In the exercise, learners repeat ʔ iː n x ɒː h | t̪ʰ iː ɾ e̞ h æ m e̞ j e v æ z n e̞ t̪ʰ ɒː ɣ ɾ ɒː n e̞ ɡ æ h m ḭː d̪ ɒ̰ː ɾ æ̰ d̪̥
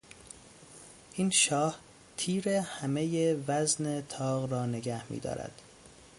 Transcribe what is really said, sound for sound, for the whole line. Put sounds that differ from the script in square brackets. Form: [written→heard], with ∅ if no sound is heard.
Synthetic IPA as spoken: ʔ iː n [x→ʃ] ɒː h | t̪ʰ iː ɾ e̞ h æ m e̞ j e v æ z n e̞ t̪ʰ ɒː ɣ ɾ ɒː n e̞ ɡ æ h m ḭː d̪ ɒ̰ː ɾ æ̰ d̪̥